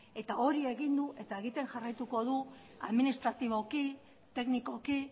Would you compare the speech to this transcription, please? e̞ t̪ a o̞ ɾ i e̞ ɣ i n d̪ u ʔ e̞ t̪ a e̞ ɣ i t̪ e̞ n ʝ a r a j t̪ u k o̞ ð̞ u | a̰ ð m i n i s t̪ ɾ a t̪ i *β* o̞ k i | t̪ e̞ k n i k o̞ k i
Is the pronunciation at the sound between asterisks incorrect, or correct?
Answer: correct